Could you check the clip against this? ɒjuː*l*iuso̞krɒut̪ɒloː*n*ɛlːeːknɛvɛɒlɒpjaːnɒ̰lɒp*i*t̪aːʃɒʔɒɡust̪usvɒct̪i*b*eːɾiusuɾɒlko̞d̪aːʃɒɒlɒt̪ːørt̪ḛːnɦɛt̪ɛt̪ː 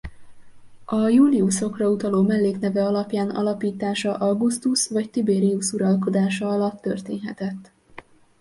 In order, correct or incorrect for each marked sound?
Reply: correct, incorrect, incorrect, correct

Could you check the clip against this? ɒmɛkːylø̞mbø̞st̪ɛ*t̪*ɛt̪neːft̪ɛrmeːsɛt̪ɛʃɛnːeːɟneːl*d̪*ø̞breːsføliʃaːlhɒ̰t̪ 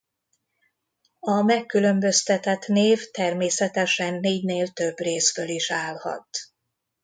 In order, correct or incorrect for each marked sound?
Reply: correct, incorrect

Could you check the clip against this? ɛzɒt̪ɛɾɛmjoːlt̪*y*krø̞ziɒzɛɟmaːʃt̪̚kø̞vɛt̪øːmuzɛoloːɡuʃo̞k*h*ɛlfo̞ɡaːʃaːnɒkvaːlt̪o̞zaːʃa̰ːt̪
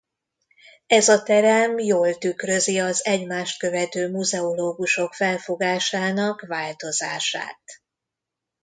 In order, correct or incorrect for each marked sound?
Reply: correct, incorrect

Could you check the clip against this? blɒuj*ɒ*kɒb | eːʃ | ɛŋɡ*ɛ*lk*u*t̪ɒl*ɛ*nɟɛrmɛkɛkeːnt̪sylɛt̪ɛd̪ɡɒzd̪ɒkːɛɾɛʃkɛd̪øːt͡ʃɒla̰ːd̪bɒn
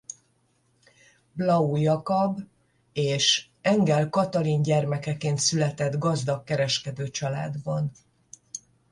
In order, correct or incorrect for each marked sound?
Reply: correct, correct, incorrect, incorrect

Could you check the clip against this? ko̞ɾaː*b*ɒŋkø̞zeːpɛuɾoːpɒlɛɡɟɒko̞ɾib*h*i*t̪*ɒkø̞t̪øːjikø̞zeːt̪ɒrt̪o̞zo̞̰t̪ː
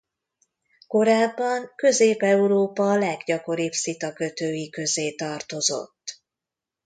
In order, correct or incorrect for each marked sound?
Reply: incorrect, incorrect, correct

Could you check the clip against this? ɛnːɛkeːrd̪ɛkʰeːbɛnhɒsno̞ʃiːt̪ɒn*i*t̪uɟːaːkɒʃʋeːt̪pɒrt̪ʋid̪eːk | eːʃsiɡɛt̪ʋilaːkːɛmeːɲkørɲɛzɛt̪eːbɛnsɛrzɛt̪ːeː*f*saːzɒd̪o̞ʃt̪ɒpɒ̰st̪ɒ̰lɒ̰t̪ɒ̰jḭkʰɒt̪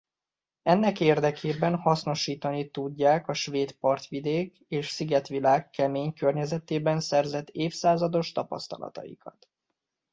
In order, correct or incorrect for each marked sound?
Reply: correct, correct

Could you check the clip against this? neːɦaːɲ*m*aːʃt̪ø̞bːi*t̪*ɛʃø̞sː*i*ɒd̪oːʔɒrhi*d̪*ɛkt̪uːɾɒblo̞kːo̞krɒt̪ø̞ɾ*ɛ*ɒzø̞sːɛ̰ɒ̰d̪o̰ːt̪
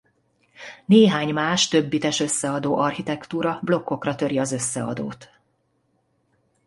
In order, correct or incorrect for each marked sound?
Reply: correct, correct, incorrect, incorrect, incorrect

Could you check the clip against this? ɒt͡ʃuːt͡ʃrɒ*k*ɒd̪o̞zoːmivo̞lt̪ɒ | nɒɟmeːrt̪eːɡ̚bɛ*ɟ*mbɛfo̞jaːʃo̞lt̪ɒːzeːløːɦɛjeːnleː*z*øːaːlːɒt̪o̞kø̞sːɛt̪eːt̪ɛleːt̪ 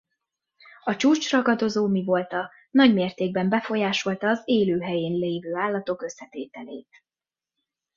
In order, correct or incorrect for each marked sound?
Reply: incorrect, incorrect, incorrect

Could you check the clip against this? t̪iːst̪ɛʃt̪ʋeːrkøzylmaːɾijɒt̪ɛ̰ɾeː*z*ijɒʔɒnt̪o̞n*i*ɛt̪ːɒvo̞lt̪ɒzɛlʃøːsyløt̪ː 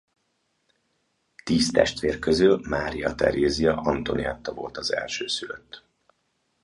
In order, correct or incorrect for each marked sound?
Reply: correct, correct

